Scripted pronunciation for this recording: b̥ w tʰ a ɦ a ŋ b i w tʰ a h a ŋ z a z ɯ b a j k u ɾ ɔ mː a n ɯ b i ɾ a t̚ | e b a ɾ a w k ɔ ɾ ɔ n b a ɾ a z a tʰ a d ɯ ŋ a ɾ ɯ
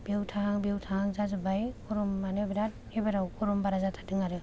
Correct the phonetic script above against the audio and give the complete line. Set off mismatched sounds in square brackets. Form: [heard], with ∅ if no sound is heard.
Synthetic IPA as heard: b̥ w tʰ a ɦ a ŋ b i w tʰ a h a ŋ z a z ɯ b a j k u ɾ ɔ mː a n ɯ b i ɾ a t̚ | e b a ɾ a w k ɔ ɾ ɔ [m] b a ɾ a z a tʰ a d ɯ ŋ a ɾ ɯ